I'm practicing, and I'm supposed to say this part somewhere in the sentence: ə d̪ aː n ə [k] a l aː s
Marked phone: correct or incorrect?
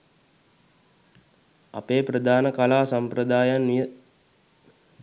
correct